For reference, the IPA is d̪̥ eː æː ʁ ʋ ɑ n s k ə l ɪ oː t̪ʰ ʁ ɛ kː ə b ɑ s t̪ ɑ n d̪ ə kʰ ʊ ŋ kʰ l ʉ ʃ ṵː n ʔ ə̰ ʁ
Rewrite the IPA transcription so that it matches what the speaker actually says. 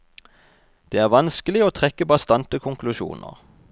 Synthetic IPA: d̪̥ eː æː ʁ ʋ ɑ n s k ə l ɪ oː t̪ʰ ʁ ɛ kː ə b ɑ s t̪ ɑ n t̪ ə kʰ ʊ ŋ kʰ l ʉ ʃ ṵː n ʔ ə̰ ʁ